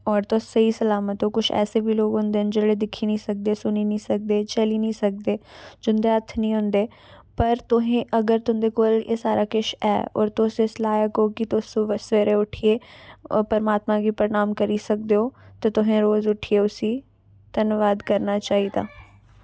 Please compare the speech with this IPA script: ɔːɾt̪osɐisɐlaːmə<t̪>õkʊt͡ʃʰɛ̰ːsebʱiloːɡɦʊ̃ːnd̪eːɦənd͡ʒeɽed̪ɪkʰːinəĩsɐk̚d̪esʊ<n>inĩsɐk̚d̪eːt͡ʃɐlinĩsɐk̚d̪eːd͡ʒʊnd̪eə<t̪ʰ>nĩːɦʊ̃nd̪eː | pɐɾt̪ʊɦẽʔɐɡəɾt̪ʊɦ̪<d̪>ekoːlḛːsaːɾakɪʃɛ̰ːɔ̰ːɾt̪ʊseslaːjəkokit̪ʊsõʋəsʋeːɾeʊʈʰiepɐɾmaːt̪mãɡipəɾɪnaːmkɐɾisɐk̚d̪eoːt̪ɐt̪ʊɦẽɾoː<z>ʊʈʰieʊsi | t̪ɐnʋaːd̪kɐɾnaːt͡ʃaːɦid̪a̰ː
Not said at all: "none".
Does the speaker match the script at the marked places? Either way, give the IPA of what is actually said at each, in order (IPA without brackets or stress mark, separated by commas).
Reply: t̪, n, t̪ʰ, d̪, z